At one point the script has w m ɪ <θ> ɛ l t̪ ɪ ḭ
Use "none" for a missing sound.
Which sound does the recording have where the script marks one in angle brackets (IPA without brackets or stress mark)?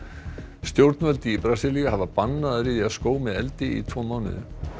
ð